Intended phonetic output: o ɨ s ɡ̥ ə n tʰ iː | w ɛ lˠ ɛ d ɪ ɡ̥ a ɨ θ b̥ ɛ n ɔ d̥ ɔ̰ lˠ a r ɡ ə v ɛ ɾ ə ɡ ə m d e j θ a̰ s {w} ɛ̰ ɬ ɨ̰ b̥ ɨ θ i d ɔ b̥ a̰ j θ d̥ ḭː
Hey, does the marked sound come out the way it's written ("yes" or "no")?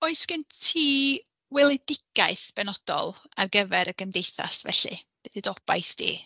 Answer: no